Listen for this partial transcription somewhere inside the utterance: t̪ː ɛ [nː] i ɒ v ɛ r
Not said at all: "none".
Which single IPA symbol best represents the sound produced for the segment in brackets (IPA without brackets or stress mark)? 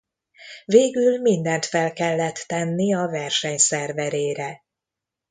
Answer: nː